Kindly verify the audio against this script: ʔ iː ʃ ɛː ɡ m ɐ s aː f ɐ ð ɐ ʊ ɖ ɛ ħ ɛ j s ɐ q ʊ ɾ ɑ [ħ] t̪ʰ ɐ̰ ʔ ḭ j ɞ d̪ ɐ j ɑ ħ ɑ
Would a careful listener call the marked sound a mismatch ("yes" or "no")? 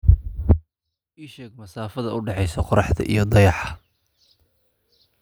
no